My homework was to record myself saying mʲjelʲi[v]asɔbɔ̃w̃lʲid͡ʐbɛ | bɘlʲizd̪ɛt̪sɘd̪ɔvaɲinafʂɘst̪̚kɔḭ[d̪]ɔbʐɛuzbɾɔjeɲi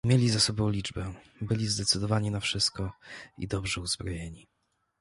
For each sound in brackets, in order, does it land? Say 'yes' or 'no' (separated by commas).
no, yes